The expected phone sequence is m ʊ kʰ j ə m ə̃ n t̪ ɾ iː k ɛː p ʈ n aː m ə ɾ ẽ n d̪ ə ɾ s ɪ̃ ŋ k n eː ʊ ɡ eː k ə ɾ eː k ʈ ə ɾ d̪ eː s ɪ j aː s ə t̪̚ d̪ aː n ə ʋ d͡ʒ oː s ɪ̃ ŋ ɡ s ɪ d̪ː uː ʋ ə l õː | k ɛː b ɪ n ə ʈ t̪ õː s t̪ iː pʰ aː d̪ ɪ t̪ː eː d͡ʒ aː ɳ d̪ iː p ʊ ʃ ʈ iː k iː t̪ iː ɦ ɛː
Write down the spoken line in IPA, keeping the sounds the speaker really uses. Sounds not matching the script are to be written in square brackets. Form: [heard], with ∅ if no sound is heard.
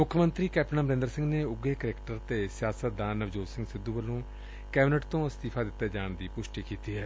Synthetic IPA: m ʊ kʰ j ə m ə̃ n t̪ ɾ iː k ɛː p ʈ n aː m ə ɾ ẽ n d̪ ə ɾ s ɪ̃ ŋ [ɡ] n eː ʊ ɡ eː k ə ɾ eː k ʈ ə ɾ [t̪] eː s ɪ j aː s ə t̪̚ d̪ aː n ə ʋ d͡ʒ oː s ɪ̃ ŋ ɡ s ɪ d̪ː uː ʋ ə l õː | k ɛː b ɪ n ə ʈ t̪ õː s t̪ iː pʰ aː d̪ ɪ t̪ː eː d͡ʒ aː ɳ d̪ iː p ʊ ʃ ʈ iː k iː t̪ iː ɦ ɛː